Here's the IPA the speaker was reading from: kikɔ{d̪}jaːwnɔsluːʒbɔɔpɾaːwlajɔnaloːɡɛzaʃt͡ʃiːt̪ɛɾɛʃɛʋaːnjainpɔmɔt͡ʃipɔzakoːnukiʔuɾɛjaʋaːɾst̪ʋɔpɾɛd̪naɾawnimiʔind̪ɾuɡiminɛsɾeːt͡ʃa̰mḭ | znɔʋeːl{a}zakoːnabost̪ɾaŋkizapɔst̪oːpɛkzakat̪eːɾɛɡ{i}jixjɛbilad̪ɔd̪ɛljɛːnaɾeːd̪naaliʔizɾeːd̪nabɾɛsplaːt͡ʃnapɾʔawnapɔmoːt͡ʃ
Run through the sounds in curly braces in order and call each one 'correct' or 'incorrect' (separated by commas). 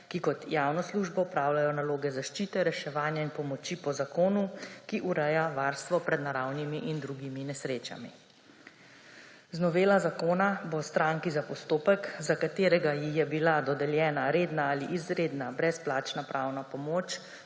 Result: incorrect, correct, incorrect